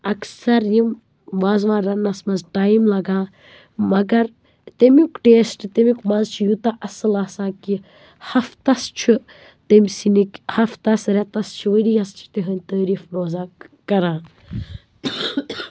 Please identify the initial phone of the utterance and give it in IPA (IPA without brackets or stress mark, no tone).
ɐ